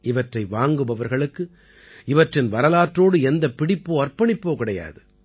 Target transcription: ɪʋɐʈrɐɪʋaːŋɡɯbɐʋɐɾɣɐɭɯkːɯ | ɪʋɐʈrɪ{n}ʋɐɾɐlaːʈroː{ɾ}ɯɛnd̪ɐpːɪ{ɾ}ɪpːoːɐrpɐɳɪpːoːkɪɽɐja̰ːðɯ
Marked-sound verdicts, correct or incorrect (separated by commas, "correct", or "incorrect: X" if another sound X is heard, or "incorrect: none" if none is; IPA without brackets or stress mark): correct, incorrect: ɽ, incorrect: ɽ